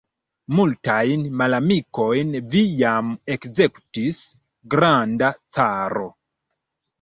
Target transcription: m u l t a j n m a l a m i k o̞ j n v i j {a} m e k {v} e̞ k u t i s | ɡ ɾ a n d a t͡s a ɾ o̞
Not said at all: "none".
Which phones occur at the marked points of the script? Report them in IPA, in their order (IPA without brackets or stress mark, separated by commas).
a, z